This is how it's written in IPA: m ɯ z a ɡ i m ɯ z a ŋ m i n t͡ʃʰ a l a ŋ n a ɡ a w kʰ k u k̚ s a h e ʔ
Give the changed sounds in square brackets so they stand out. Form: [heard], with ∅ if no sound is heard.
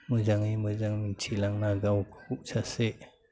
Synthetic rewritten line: m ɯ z a [ŋ] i m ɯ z a ŋ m i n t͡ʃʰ [i] l a ŋ n a ɡ a w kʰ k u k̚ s a [s] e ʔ

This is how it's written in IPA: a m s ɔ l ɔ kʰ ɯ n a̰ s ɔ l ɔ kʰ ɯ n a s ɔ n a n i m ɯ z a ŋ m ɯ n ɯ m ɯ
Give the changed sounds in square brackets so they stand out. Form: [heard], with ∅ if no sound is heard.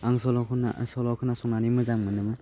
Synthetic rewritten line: a [ŋ] s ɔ l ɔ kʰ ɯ n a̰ s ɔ l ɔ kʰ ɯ n a s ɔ n a n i m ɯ z a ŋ m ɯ n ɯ m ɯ

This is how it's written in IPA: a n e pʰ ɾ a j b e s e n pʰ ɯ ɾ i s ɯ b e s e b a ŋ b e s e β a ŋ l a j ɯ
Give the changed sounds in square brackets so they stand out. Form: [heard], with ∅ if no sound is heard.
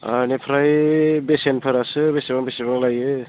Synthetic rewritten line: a n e pʰ ɾ a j b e s e n pʰ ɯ ɾ [a] s ɯ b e s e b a ŋ b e s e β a ŋ l a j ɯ

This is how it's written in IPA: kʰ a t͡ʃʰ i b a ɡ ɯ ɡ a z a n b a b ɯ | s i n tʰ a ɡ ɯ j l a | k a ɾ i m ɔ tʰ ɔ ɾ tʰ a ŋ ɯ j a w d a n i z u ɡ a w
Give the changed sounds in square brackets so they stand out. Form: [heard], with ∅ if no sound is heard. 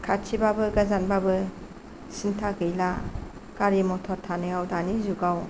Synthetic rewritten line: kʰ a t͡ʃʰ i b a [b] ɯ ɡ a z a n b a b ɯ | s i n tʰ a ɡ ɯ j l a | k a ɾ i m ɔ tʰ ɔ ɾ tʰ a [n] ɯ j a w d a n i z u ɡ a w

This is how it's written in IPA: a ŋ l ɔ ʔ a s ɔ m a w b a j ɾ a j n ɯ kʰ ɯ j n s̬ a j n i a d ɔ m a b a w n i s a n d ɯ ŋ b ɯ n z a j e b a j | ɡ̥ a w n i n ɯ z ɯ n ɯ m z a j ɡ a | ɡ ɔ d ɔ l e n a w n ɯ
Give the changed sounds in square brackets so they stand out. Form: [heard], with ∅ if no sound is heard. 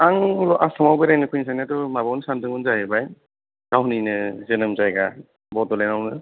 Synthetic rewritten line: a ŋ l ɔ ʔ a s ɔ m a w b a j ɾ a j n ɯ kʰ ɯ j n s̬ a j n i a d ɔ m a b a w n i s a n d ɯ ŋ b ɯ n z a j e b a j | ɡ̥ a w n i n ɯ z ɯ n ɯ m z a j ɡ a | [b] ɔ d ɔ l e n a w n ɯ

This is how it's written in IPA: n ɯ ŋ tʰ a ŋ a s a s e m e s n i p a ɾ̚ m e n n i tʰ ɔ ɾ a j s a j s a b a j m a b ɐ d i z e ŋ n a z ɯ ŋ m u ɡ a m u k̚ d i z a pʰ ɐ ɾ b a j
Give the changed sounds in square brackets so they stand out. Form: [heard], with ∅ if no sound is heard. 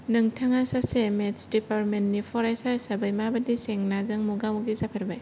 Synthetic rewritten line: n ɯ ŋ tʰ a ŋ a s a s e m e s [d] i p a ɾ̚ m e n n i [pʰ] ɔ ɾ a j s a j s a b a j m a b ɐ d i [s] e ŋ n a z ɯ ŋ m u ɡ a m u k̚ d i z a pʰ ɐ ɾ b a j

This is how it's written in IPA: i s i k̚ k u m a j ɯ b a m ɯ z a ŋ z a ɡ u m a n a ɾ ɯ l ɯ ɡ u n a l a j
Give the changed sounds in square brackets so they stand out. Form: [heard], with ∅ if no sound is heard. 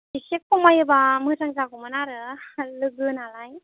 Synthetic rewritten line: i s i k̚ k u m a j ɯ b a m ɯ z a ŋ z a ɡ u m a n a ɾ ɯ l ɯ ɡ [ɯ] n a l a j

